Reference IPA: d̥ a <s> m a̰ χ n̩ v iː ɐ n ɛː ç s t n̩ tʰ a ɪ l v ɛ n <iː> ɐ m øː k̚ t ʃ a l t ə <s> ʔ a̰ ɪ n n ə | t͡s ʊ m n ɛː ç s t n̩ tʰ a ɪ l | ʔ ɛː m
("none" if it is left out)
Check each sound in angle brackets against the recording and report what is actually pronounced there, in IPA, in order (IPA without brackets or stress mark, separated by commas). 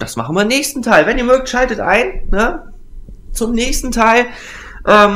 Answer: s, iː, t